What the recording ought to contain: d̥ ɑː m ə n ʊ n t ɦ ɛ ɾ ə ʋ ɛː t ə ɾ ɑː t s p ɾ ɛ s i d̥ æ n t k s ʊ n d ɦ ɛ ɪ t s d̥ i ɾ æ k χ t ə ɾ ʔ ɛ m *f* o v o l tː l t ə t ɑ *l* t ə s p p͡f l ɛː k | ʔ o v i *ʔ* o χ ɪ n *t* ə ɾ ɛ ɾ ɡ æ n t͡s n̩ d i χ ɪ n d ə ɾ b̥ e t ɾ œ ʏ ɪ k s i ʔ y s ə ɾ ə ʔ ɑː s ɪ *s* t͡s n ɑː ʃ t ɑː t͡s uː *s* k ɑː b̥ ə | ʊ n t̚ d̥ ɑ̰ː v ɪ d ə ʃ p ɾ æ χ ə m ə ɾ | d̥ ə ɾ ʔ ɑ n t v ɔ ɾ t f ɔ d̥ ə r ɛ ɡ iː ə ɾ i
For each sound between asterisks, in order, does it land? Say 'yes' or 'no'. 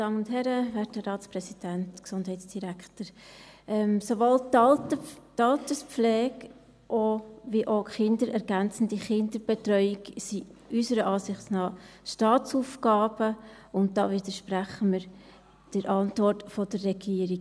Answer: no, yes, yes, no, no, no

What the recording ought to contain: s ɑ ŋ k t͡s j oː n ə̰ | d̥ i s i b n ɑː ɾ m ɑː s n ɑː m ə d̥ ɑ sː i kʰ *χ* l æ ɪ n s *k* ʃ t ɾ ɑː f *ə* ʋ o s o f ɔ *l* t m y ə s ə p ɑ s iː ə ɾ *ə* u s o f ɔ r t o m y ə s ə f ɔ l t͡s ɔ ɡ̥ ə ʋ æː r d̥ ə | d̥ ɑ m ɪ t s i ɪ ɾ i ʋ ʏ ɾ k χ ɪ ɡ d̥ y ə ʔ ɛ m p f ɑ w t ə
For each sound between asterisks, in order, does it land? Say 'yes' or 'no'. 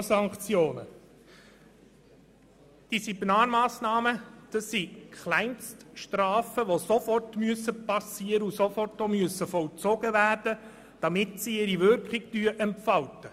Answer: yes, no, yes, no, yes

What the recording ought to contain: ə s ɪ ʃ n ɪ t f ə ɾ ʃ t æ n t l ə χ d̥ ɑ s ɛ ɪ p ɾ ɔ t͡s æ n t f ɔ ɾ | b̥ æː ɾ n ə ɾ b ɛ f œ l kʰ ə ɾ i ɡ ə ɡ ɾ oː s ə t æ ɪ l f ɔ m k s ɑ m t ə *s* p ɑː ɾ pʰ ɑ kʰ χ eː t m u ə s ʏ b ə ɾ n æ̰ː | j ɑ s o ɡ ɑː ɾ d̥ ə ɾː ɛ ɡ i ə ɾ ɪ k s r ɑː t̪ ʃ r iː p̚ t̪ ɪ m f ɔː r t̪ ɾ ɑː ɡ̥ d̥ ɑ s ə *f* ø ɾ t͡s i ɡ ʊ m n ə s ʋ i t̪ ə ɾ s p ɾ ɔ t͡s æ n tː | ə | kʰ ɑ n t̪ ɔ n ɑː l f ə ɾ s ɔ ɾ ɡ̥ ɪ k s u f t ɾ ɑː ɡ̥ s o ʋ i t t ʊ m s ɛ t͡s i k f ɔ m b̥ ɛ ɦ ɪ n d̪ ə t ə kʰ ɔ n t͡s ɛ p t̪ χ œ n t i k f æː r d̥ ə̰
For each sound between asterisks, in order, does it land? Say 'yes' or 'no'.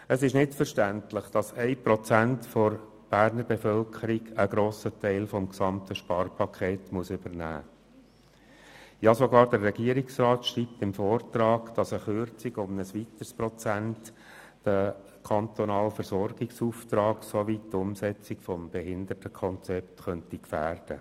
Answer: no, no

